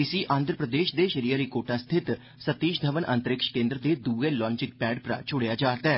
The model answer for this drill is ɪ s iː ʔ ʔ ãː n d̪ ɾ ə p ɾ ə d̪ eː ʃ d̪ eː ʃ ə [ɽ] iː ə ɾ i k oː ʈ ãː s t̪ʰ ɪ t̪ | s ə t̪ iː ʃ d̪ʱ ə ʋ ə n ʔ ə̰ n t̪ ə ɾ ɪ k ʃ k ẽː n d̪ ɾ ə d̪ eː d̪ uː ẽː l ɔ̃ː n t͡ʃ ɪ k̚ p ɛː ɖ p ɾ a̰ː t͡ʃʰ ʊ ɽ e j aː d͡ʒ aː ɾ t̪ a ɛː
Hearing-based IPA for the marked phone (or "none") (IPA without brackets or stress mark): ɾ